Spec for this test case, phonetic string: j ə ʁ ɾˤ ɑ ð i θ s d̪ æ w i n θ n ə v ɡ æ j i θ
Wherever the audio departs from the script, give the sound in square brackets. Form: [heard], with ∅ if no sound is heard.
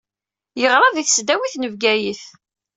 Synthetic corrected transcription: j ə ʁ ɾˤ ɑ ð i θ s d̪ æ w i [∅] θ n ə v ɡ æ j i θ